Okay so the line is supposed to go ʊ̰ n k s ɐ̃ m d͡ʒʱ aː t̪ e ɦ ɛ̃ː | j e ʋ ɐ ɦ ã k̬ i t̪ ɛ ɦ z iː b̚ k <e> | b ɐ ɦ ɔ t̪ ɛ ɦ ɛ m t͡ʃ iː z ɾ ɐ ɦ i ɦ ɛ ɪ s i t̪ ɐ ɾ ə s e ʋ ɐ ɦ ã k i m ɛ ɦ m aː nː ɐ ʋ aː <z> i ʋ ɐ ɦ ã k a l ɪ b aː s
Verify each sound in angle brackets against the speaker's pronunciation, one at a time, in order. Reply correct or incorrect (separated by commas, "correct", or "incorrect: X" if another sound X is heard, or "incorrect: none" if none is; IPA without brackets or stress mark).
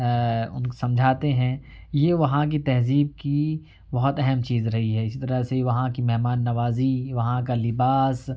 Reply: incorrect: i, correct